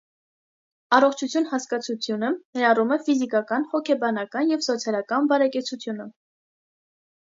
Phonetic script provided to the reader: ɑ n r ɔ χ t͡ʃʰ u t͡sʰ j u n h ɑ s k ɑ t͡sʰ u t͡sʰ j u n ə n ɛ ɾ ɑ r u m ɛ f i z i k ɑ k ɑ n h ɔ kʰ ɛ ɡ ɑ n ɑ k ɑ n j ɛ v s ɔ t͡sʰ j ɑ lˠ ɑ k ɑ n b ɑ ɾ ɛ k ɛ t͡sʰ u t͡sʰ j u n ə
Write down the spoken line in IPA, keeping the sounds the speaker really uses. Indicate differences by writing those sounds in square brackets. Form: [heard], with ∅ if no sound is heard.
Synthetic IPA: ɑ [∅] r ɔ χ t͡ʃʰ u t͡sʰ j u n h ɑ s k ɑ t͡sʰ u t͡sʰ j u n ə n ɛ ɾ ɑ r u m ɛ f i z i k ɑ k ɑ n h ɔ kʰ ɛ [b] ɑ n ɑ k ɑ n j ɛ v s ɔ t͡sʰ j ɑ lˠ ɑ k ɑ n b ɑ ɾ ɛ k ɛ t͡sʰ u t͡sʰ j u n ə

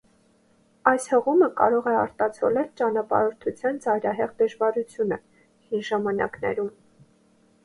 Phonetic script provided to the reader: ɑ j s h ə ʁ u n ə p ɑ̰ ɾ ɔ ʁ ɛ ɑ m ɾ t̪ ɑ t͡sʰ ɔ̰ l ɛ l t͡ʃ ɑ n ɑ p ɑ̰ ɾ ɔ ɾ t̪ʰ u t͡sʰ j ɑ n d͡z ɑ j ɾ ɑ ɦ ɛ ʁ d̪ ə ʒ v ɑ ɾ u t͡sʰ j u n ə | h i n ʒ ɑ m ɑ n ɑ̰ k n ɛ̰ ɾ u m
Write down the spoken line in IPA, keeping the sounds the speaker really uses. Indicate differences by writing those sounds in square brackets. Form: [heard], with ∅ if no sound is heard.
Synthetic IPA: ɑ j s h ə ʁ u [m] ə [k] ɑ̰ ɾ ɔ ʁ ɛ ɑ [∅] ɾ t̪ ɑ t͡sʰ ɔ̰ l ɛ l t͡ʃ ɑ n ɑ p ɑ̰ ɾ ɔ ɾ t̪ʰ u t͡sʰ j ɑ n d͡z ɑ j ɾ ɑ ɦ ɛ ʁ d̪ ə ʒ v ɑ ɾ u t͡sʰ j u n ə | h i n ʒ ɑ m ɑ n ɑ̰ k n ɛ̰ ɾ u m

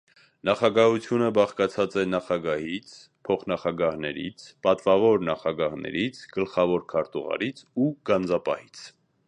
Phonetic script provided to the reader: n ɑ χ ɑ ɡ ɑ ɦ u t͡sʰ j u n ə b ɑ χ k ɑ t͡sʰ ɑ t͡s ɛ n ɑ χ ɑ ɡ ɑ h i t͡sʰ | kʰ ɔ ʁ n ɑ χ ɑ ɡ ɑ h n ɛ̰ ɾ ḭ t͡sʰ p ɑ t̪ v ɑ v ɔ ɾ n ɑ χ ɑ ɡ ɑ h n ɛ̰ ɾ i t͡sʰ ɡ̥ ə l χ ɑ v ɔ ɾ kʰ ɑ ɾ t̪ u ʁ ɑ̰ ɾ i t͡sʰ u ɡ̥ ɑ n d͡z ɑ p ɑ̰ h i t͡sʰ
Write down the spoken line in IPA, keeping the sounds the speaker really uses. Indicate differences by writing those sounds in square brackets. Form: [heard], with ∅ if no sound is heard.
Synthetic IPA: n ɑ χ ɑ ɡ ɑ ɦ u t͡sʰ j u n ə b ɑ χ k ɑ t͡sʰ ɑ t͡s ɛ n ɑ χ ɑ ɡ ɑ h i t͡sʰ | [pʰ] ɔ [χ] n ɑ χ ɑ ɡ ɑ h n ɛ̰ ɾ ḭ t͡sʰ p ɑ t̪ v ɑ v ɔ ɾ n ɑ χ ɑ ɡ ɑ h n ɛ̰ ɾ i t͡sʰ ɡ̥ ə l χ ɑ v ɔ ɾ kʰ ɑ ɾ t̪ u ʁ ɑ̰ ɾ i t͡sʰ u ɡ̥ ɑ n d͡z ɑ p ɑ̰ h i t͡sʰ

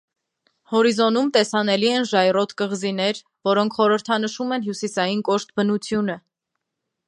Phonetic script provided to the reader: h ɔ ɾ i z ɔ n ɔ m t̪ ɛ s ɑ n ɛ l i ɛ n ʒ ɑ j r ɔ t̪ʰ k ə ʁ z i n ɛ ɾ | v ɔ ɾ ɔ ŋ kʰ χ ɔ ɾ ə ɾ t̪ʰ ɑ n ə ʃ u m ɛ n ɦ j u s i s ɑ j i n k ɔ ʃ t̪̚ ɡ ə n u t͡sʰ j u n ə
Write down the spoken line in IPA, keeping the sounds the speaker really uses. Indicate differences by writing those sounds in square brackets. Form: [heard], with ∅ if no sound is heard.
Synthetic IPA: h ɔ ɾ i z ɔ n [u] m t̪ ɛ s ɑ n ɛ l i ɛ n ʒ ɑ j r ɔ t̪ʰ k ə ʁ z i n ɛ ɾ | v ɔ ɾ ɔ ŋ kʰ χ ɔ ɾ ə ɾ t̪ʰ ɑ n ə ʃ u m ɛ n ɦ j u s i s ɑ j i n k ɔ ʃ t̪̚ [b] ə n u t͡sʰ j u n ə

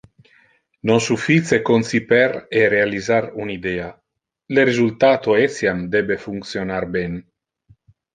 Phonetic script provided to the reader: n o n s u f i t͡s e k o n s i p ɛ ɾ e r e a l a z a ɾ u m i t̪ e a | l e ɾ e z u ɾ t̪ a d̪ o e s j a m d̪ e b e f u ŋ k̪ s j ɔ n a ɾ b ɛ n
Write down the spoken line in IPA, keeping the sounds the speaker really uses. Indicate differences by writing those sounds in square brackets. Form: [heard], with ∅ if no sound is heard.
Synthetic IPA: n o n s u f i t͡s e k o n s i p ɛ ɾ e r e a l [i] z a ɾ u [n] i [d̪] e a | l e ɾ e z u [l] t̪ a [t̪] o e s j a m d̪ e b e f u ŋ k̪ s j [o] n a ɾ b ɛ n

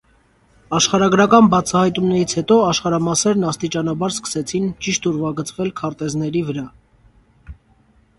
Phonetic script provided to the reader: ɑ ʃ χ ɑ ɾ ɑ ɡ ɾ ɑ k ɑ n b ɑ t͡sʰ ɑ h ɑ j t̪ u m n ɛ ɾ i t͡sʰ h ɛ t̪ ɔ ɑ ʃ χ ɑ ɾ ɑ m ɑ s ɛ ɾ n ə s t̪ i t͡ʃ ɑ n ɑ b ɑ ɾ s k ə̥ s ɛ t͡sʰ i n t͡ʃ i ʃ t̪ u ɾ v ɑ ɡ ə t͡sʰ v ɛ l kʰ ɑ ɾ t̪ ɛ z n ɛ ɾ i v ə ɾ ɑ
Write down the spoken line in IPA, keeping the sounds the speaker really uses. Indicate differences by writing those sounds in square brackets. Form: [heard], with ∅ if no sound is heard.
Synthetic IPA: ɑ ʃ χ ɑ ɾ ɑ ɡ ɾ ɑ k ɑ n b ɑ t͡sʰ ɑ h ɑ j t̪ u m n ɛ ɾ i t͡sʰ h ɛ t̪ ɔ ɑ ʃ χ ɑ ɾ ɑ m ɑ s ɛ ɾ n [ɑ] s t̪ i t͡ʃ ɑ n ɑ b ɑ ɾ s k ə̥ s ɛ t͡sʰ i n t͡ʃ i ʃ t̪ u ɾ v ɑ ɡ ə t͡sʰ v ɛ l kʰ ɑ ɾ t̪ ɛ z n ɛ ɾ i v ə ɾ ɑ

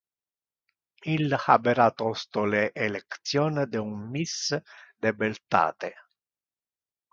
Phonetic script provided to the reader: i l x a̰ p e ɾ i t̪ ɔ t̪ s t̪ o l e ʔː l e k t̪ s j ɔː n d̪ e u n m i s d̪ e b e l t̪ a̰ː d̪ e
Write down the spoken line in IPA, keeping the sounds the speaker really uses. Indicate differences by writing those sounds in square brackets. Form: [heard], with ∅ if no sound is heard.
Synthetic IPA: i l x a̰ [b] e ɾ [a] t̪ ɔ [∅] s t̪ o l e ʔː l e k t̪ s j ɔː n d̪ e u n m i s d̪ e b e l t̪ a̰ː [t̪] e

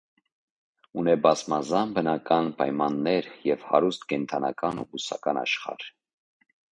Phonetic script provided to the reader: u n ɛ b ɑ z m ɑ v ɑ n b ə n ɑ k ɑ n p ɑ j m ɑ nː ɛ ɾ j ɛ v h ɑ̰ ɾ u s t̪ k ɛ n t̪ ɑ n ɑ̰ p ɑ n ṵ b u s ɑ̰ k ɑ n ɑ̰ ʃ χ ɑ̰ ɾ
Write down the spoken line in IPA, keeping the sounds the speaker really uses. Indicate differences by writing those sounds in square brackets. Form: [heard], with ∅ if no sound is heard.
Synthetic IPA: u n ɛ b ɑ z m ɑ [z] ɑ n b ə n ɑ k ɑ n p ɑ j m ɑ nː ɛ ɾ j ɛ v h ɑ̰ ɾ u s t̪ k ɛ n [t̪ʰ] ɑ n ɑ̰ [k] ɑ n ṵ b u s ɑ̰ k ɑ n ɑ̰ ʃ χ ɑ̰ ɾ

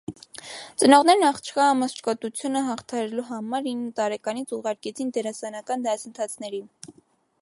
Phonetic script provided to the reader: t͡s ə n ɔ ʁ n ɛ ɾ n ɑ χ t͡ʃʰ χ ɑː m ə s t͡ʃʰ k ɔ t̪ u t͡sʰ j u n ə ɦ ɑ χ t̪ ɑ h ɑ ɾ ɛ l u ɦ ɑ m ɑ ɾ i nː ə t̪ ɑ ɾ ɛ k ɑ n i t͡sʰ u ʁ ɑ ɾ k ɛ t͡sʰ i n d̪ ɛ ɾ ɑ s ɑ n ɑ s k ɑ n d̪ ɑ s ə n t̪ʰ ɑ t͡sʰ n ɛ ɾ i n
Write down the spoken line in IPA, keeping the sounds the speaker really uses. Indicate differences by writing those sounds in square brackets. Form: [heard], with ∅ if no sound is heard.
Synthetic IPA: t͡s ə n ɔ ʁ n ɛ ɾ n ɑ χ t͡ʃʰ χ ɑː m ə s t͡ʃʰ k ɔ t̪ u t͡sʰ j u n ə ɦ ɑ χ [t̪ʰ] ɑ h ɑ ɾ ɛ l u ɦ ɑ m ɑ ɾ i nː ə t̪ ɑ ɾ ɛ k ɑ n i t͡sʰ u ʁ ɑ ɾ k ɛ t͡sʰ i n d̪ ɛ ɾ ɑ s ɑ n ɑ [∅] k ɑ n d̪ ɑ s ə n t̪ʰ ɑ t͡sʰ n ɛ ɾ i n

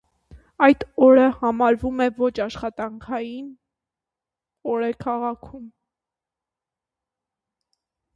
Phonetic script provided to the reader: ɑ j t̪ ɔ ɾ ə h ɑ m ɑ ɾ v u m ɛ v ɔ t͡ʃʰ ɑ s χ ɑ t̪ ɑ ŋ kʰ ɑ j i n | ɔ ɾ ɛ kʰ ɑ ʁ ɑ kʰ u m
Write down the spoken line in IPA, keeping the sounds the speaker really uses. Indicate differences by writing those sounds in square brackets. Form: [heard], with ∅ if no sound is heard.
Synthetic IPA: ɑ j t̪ ɔ ɾ ə h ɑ m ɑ ɾ v u m ɛ v ɔ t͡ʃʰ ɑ [ʃ] χ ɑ t̪ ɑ ŋ kʰ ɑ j i n | ɔ ɾ ɛ kʰ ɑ ʁ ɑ kʰ u m

